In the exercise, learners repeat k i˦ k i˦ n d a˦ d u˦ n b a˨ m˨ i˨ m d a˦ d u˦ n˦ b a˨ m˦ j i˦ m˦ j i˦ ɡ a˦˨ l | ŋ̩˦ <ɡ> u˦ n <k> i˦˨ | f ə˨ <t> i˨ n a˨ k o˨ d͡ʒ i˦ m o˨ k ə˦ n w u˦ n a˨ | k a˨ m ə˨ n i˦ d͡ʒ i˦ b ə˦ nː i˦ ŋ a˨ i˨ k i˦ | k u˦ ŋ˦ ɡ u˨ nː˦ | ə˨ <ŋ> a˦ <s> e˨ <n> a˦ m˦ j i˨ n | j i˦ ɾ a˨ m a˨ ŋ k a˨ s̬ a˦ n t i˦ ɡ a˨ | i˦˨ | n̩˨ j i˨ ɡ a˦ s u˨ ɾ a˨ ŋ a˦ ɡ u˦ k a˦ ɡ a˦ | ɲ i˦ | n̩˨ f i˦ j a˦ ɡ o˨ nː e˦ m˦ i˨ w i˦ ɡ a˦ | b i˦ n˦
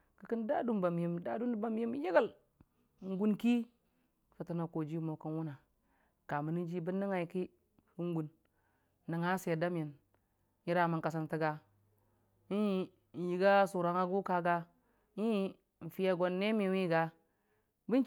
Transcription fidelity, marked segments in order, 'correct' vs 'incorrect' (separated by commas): correct, correct, correct, correct, correct, incorrect